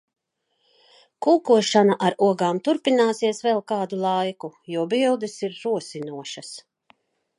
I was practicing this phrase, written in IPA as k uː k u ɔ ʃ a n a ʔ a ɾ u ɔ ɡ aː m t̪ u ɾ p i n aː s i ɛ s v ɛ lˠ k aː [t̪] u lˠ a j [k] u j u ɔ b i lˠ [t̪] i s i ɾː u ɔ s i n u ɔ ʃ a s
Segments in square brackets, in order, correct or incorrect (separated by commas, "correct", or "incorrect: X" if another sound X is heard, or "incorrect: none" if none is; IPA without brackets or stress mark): incorrect: d̪, correct, incorrect: d̪